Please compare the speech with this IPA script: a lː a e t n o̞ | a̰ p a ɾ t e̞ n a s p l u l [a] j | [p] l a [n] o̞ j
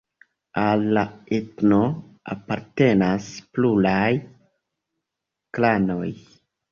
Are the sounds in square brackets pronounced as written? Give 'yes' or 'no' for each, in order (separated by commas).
yes, no, yes